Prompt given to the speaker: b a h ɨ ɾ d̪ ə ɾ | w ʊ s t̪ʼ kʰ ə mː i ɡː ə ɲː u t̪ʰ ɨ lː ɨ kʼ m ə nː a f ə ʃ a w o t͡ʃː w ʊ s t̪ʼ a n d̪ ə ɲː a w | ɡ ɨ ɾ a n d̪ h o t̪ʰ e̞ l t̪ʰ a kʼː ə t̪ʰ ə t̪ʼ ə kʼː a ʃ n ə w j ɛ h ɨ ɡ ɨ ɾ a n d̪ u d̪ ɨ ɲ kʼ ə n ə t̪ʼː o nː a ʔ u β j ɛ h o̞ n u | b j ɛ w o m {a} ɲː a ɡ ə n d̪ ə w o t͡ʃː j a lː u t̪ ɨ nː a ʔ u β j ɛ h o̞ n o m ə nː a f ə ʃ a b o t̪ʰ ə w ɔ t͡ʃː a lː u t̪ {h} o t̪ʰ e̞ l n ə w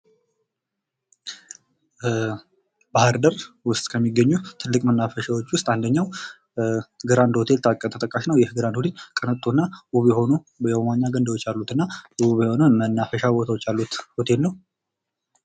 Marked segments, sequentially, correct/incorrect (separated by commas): correct, correct